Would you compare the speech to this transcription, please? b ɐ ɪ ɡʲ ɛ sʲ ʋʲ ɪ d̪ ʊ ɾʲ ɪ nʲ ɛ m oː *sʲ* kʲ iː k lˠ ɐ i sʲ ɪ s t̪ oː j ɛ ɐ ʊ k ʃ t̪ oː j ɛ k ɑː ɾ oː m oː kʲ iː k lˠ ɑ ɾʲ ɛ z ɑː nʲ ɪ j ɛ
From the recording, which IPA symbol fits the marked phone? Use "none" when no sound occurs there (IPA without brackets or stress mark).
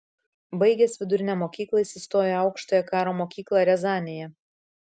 none